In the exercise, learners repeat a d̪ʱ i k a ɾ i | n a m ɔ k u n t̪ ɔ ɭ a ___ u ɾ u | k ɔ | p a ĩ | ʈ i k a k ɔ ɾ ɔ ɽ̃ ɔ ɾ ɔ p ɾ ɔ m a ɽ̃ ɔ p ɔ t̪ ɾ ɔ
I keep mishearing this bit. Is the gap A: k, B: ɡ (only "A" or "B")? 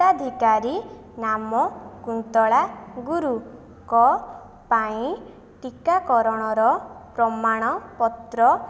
B